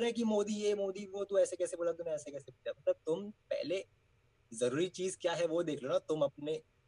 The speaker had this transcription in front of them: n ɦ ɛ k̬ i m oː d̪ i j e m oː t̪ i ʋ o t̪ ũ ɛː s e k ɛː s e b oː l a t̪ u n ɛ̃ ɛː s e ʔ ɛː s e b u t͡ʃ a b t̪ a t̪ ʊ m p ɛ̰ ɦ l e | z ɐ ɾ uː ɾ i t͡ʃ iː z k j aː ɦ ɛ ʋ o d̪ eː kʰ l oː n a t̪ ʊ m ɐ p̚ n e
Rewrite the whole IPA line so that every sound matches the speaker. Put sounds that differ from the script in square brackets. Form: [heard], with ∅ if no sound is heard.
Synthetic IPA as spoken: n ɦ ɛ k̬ i m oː d̪ i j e m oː [d̪] i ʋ o t̪ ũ ɛː s e k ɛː s e b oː l a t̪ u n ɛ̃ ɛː s e [k] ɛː s e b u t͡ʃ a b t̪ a t̪ ʊ m p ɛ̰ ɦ l e | z ɐ ɾ uː ɾ i t͡ʃ iː z k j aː ɦ ɛ ʋ o d̪ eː kʰ l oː n a t̪ ʊ m ɐ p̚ n e